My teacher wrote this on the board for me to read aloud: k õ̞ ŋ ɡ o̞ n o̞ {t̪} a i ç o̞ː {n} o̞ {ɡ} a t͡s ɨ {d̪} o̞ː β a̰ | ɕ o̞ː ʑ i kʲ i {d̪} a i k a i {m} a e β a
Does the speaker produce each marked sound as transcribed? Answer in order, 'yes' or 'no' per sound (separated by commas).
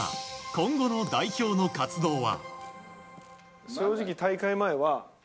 no, yes, no, yes, no, yes